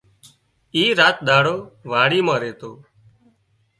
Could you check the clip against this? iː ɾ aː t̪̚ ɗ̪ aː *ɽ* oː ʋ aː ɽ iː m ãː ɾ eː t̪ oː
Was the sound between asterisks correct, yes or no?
yes